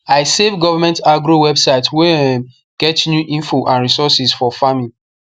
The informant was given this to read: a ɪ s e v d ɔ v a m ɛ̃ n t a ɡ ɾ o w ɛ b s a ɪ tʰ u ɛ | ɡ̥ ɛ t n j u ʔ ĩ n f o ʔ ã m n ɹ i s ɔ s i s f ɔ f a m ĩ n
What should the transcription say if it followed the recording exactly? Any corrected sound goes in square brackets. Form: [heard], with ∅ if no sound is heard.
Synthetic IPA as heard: a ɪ s e v [ɡ] ɔ v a m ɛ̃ n t a ɡ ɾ o w ɛ b s a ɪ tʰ [w] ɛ | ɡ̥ ɛ t n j u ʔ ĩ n f o ʔ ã [∅] n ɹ i s ɔ s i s f ɔ f a m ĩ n